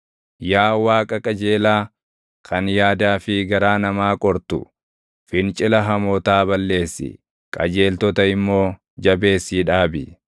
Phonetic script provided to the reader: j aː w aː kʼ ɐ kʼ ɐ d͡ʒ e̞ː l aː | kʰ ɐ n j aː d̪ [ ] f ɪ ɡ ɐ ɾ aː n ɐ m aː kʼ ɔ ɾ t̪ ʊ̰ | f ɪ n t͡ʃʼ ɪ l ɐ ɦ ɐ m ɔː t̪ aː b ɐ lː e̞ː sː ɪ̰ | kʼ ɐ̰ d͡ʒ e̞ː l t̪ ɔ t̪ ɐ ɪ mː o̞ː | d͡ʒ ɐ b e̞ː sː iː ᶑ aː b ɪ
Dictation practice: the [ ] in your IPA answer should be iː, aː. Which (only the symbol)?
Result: aː